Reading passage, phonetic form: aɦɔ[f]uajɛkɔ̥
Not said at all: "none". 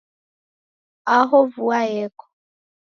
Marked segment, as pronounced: v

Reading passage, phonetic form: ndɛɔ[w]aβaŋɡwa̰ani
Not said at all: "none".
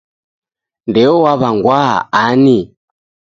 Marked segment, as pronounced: w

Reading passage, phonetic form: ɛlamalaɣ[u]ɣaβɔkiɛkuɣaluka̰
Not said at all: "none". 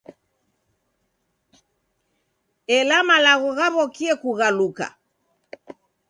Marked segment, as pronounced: ɔ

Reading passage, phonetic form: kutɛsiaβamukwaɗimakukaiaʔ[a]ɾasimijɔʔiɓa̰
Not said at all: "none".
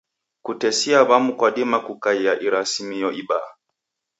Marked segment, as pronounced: i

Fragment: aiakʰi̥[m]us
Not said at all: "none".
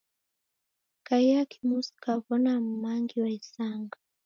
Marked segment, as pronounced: m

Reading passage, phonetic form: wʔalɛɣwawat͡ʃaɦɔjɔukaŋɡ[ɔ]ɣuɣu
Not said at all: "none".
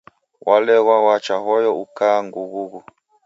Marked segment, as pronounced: u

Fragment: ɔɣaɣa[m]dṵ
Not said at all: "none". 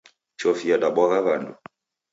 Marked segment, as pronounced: n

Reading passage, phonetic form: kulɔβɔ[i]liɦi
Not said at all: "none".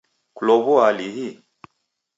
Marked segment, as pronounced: a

